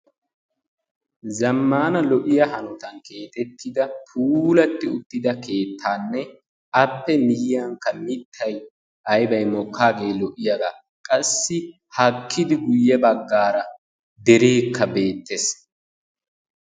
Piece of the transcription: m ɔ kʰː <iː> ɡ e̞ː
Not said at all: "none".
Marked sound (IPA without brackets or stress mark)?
aː